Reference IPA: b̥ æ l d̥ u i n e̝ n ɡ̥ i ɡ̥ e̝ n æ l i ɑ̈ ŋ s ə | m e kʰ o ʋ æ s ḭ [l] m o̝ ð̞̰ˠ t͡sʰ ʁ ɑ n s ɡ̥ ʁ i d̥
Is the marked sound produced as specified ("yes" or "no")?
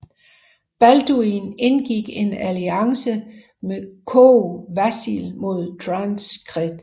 yes